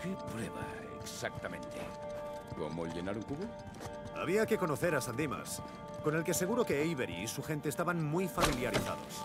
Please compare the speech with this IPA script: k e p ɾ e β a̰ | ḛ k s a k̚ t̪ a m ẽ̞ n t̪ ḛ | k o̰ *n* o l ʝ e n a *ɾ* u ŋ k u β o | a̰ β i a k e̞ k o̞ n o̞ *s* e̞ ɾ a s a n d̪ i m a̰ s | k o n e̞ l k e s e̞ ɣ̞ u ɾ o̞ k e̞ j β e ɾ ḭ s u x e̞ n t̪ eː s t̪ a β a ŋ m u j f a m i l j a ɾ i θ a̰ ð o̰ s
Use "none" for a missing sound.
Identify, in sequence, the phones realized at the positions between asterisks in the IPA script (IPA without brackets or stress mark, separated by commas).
m, ɾ, θ